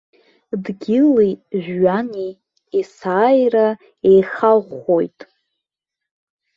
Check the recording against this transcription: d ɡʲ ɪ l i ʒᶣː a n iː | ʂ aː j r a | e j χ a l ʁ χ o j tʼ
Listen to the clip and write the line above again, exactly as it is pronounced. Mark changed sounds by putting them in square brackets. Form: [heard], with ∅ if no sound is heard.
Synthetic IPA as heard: d ɡʲ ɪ l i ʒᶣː a n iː | [s] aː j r a | e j χ a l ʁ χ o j tʼ